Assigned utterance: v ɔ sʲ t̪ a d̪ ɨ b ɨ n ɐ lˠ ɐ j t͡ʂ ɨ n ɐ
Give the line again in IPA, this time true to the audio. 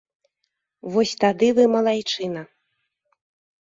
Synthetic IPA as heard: v ɔ sʲ t̪ a d̪ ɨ v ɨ m ɐ lˠ a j t͡ʂ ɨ n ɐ